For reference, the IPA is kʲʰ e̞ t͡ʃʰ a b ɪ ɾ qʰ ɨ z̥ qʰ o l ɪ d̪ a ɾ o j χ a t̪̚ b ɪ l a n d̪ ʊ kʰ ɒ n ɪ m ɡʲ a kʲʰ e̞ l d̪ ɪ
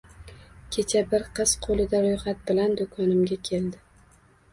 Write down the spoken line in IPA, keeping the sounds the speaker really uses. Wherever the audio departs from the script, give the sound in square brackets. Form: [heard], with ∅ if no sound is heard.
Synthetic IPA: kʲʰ e̞ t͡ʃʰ a b ɪ ɾ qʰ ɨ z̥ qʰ o l ɪ d̪ a ɾ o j χ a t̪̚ b ɪ l a n d̪ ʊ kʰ ɒ n ɪ m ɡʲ a kʲʰ e̞ l d̪ ɪ